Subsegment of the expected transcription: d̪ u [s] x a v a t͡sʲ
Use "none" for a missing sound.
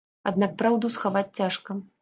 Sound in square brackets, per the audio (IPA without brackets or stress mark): s